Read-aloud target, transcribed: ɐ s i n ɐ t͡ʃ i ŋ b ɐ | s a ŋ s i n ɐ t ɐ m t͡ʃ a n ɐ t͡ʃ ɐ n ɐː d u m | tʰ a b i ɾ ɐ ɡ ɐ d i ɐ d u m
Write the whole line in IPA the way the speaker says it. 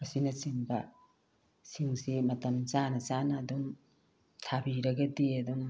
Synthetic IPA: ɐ s i n ɐ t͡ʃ i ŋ b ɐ | s i ŋ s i m ɐ t ɐ m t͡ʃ a n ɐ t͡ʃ a n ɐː d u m | tʰ a b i ɾ ɐ ɡ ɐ d i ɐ d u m